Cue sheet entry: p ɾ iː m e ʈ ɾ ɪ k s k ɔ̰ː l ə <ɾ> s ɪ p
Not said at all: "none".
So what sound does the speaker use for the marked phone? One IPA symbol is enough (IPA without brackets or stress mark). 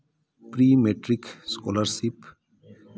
ɾ